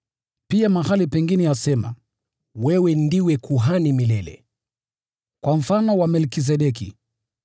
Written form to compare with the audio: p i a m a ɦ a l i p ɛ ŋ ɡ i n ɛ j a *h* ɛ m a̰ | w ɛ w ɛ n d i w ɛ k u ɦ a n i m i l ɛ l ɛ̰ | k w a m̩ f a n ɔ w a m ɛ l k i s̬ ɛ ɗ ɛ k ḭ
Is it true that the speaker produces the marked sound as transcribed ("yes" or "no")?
no